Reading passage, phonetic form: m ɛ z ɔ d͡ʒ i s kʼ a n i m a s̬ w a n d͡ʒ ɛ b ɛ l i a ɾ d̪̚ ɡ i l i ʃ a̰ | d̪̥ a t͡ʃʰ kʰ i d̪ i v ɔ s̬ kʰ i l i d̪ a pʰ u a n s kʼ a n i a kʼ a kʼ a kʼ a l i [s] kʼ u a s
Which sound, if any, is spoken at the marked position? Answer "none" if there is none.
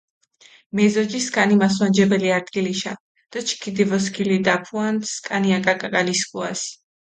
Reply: s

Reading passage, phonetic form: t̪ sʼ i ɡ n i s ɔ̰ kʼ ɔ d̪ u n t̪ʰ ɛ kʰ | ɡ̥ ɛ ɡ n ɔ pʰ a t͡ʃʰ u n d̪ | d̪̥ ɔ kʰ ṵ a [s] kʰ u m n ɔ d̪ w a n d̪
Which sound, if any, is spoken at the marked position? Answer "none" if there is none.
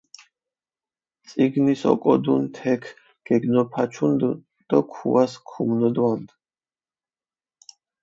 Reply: s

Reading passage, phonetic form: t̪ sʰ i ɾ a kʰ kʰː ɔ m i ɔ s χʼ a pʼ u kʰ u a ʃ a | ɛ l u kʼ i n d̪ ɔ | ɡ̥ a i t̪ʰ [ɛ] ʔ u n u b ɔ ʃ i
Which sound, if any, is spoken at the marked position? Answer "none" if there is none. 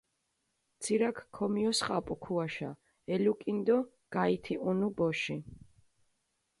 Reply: i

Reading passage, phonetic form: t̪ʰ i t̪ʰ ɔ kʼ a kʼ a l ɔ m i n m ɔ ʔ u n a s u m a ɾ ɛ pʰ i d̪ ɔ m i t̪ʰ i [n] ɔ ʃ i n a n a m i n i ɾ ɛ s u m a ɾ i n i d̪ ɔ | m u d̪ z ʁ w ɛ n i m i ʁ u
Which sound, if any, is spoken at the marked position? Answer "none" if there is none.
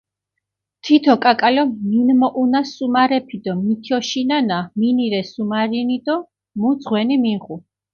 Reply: none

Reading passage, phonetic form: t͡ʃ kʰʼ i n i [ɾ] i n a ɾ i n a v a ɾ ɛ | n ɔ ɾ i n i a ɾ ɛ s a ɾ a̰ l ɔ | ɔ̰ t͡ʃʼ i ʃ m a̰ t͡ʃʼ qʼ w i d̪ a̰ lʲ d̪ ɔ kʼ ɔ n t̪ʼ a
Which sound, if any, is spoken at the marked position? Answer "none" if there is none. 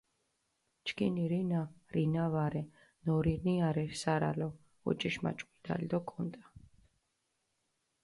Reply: ɾ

